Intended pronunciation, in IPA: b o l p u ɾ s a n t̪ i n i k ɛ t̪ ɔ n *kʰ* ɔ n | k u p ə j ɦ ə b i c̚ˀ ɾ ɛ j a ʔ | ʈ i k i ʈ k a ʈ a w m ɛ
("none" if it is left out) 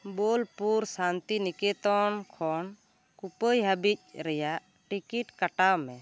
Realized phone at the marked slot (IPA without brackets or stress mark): kʰ